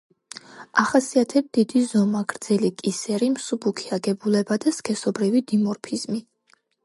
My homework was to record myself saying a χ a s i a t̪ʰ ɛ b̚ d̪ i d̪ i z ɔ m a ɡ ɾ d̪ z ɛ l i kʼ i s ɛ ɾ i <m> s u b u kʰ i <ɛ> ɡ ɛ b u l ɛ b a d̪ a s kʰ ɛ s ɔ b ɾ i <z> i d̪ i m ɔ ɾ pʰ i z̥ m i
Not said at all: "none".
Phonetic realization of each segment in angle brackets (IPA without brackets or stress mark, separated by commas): m, a, v